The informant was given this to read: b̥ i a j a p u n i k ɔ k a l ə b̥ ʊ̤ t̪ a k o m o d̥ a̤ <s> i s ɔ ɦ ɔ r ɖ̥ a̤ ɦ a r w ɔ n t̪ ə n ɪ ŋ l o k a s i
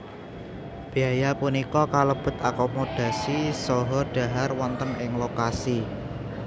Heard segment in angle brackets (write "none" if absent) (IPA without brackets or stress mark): s